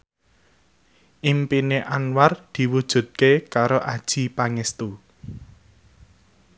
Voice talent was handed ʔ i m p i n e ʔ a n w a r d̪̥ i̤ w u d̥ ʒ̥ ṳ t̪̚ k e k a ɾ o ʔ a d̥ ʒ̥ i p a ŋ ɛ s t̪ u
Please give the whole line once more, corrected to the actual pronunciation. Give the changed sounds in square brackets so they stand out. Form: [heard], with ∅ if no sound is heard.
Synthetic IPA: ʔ i m p i n e ʔ a n w a r d̪̥ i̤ w u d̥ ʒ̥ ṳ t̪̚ k e k a ɾ o ʔ a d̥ ʒ̥ i p a ŋ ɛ s t̪ u